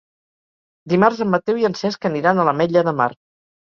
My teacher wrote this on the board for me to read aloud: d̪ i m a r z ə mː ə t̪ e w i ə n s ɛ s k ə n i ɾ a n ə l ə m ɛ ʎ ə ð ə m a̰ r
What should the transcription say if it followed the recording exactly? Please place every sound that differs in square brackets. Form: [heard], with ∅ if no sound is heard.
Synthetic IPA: d̪ i m a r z ə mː ə t̪ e w i ə n s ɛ s k ə n i ɾ a n ə l ə m ɛ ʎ ə ð ə m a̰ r